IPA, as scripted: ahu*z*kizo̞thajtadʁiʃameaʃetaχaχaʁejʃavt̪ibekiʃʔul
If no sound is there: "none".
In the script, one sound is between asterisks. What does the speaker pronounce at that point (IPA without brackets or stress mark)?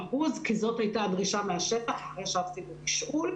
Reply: z